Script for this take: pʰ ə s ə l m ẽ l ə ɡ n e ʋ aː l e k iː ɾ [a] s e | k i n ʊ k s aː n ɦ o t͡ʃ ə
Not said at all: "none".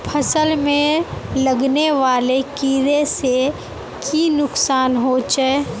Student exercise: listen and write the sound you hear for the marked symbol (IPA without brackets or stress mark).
e